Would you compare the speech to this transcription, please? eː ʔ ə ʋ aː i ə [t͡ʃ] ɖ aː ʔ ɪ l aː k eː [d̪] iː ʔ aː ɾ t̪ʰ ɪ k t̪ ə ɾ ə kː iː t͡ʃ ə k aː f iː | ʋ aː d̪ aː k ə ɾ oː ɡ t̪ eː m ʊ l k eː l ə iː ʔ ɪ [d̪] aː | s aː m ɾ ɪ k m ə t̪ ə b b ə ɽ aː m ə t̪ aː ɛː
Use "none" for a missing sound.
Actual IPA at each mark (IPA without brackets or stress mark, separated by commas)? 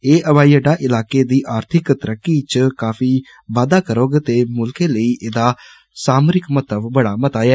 none, d̪, d̪